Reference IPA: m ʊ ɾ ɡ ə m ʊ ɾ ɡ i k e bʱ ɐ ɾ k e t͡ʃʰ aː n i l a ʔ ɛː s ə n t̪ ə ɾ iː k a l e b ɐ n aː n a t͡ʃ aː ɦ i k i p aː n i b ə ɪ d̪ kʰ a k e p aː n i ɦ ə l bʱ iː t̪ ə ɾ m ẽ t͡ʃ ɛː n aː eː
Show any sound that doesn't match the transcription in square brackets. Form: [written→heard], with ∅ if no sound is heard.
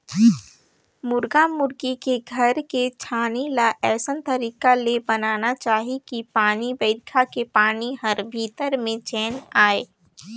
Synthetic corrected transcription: m ʊ ɾ ɡ [ə→a] m ʊ ɾ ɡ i k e [bʱ→ɡʱ] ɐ ɾ k e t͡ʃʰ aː n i l a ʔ ɛː s ə n t̪ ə ɾ iː k a l e b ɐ n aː n a t͡ʃ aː ɦ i k i p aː n i b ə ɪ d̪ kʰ a k e p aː n i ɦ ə [l→ɾ] bʱ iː t̪ ə ɾ m ẽ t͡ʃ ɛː n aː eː